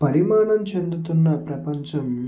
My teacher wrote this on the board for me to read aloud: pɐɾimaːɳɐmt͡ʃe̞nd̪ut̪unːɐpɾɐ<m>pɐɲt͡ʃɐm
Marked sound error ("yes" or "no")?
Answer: yes